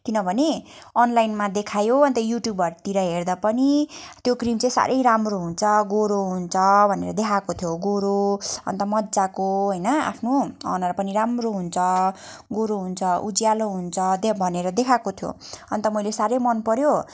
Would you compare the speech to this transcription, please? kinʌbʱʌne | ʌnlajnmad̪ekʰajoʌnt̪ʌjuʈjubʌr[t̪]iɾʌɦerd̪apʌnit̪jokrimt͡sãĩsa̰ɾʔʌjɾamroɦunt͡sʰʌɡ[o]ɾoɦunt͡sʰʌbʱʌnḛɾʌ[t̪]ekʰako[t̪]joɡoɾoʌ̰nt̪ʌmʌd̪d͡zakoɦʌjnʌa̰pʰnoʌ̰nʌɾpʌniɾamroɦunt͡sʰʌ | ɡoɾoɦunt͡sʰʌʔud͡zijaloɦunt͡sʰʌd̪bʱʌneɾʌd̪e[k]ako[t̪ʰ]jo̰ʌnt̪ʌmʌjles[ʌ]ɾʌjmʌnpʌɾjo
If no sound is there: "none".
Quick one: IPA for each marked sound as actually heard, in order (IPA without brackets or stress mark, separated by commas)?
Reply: t̪, o, d̪, t̪ʰ, kʰ, t̪ʰ, a